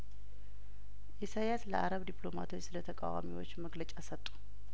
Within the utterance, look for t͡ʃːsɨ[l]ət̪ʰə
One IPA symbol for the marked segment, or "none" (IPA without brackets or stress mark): l